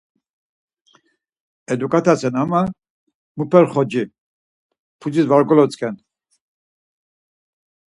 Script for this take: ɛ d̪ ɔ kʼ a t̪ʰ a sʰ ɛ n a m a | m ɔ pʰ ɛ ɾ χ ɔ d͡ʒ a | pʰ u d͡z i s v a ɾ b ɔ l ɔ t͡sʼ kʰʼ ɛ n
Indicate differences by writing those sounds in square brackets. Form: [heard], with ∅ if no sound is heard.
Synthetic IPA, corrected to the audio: ɛ d̪ [u] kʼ a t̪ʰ a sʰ ɛ n a m a | m [u] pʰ ɛ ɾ χ ɔ d͡ʒ [i] | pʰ u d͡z i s v a ɾ [ɡ] ɔ l ɔ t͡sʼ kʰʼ ɛ n

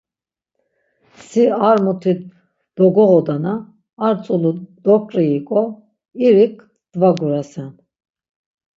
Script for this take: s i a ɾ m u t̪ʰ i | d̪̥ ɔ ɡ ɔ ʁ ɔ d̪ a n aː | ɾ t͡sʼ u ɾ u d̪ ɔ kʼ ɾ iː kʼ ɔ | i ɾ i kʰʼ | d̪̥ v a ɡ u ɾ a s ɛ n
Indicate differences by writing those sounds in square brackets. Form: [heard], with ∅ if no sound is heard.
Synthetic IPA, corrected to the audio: s i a ɾ m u t̪ʰ i | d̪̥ ɔ ɡ ɔ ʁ ɔ d̪ a n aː | ɾ t͡sʼ u [l] u d̪ ɔ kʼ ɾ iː kʼ ɔ | i ɾ i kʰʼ | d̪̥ v a ɡ u ɾ a s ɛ n

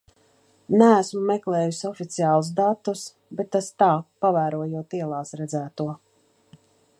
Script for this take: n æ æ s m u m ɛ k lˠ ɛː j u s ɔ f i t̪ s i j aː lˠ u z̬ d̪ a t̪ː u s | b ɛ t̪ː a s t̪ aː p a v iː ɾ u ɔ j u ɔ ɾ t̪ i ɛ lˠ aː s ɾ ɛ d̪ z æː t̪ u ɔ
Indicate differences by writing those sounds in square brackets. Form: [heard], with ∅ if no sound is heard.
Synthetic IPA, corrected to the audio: n æ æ s m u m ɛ k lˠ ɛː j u s ɔ f i t̪ s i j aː lˠ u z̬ d̪ a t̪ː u s | b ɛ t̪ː a s t̪ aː p a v [æː] ɾ u ɔ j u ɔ [∅] t̪ i ɛ lˠ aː s ɾ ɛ d̪ z æː t̪ u ɔ

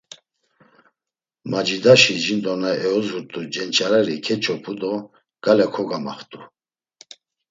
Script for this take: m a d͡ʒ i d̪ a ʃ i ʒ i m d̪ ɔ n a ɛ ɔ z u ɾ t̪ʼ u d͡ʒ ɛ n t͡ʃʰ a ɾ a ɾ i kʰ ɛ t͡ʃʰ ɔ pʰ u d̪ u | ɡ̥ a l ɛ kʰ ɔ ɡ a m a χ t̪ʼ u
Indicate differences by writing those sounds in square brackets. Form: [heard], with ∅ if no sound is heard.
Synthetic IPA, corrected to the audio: m a d͡ʒ i d̪ a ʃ i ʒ i [n] d̪ ɔ n a ɛ ɔ z u ɾ t̪ʼ u d͡ʒ ɛ n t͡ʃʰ a ɾ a ɾ i kʰ ɛ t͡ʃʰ ɔ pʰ u d̪ [ɔ] | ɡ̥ a l ɛ kʰ ɔ ɡ a m a χ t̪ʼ u

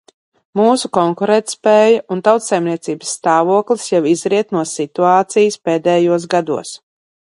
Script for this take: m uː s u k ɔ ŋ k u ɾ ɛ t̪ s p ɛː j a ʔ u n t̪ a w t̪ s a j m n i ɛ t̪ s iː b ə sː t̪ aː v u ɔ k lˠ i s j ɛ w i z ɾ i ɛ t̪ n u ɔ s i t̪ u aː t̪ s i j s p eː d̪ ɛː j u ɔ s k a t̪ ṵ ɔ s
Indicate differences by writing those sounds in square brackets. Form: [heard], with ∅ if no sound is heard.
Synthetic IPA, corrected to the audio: m uː s u k ɔ ŋ k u ɾ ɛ t̪ s p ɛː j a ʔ u n t̪ a w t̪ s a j m n i ɛ t̪ s iː b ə sː t̪ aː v u ɔ k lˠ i s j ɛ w i z ɾ i ɛ t̪ n u ɔ s i t̪ u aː t̪ s i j s p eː d̪ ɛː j u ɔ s [ɡ] a [d̪] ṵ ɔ s

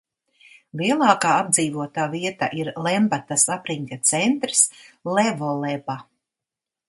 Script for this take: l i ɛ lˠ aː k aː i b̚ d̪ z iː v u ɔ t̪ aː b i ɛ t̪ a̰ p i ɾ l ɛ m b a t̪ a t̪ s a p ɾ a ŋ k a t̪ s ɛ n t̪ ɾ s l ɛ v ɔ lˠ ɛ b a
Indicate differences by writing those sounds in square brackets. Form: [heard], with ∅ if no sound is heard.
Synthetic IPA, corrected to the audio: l i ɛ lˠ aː k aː [a] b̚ d̪ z iː v u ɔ t̪ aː [v] i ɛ t̪ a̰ [ʔ] i ɾ l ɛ m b a t̪ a [∅] s a p ɾ [i] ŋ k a t̪ s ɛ n t̪ ɾ s l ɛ v ɔ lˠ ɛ b a

